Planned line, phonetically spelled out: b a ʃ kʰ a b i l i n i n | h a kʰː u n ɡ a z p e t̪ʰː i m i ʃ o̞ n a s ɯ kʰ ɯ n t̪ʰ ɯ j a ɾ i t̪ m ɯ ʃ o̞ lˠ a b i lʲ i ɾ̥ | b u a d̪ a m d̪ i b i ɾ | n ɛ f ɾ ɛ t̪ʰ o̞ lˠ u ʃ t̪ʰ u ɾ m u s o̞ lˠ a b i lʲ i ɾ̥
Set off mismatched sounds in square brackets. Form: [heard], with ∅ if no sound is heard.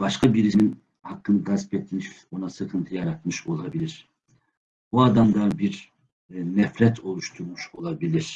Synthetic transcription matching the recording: b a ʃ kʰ a b i [ɾ] i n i n | h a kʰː [ɯ] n ɡ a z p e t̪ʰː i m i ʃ o̞ n a s ɯ kʰ ɯ n t̪ʰ ɯ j a ɾ [a] t̪ m ɯ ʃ o̞ lˠ a b i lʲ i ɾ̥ | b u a d̪ a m d̪ [a] b i ɾ | n ɛ f ɾ ɛ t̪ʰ o̞ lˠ u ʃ t̪ʰ u ɾ m u [ʃ] o̞ lˠ a b i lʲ i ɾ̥